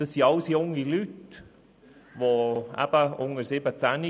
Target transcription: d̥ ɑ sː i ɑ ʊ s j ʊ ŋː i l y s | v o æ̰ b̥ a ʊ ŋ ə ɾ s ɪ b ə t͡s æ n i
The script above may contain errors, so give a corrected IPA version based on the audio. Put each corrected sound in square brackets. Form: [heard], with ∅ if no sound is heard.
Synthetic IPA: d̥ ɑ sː i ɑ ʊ s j ʊ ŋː i l y [t] | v o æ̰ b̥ [ə] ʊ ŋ ə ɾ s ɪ b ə t͡s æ n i